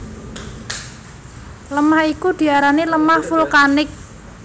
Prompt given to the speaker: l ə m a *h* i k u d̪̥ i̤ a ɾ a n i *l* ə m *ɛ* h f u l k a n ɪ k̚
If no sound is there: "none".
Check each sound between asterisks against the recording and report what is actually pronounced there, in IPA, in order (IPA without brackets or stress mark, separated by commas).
h, l, a